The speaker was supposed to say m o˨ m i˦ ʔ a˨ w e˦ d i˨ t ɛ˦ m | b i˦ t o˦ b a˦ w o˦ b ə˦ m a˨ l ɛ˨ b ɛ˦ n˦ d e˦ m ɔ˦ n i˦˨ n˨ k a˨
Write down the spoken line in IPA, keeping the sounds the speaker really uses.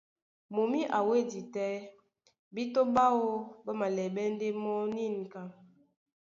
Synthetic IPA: m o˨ m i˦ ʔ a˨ w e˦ d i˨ t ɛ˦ | b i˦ t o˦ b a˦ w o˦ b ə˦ m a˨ l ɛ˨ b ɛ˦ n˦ d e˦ m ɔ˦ n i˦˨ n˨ k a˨